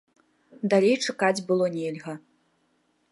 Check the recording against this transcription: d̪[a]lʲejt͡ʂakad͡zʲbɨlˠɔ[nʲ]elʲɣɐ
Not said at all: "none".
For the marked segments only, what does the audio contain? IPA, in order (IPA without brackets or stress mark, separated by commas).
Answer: a, nʲ